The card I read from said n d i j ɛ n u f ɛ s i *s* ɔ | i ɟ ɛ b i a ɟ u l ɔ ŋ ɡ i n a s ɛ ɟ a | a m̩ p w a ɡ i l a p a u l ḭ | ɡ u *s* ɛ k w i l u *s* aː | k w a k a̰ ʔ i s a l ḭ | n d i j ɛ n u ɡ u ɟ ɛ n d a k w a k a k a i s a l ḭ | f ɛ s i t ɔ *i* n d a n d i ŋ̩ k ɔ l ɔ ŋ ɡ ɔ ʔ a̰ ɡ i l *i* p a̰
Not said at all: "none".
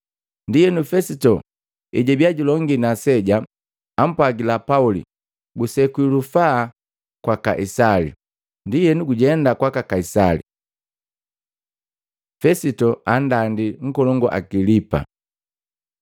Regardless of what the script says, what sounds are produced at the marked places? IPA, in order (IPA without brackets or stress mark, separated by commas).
t, s, f, a, i